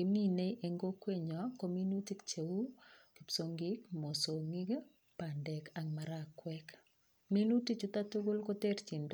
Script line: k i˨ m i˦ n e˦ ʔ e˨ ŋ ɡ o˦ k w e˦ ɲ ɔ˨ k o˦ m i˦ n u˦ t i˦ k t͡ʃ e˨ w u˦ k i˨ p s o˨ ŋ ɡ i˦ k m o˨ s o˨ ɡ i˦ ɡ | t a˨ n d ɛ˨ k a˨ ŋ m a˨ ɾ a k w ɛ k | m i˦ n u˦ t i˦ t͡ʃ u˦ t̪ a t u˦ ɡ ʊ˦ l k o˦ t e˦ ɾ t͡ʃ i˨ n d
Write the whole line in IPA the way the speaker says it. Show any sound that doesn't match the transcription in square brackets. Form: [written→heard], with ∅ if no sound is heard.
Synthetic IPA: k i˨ m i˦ n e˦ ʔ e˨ ŋ ɡ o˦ k w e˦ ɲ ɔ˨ k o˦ m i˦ n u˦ t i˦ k t͡ʃ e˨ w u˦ k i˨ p s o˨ ŋ ɡ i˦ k m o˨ s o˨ [ɡ→ŋ] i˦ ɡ | [t→p] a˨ n d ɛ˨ k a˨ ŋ m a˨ ɾ a k w ɛ k | m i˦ n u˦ t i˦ t͡ʃ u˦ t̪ a t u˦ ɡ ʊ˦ l k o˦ t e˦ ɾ t͡ʃ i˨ n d